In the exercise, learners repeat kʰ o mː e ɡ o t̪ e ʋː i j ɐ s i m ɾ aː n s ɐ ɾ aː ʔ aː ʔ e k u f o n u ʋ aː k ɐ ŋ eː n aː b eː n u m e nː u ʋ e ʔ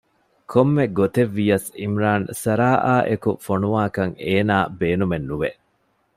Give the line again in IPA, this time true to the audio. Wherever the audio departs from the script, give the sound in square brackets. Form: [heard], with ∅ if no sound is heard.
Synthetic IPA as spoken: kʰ o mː e ɡ o t̪ e ʋː i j ɐ s i m ɾ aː n s ɐ ɾ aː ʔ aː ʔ e k u f o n u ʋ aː k ɐ ŋ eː n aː b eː n u m e nː u ʋ e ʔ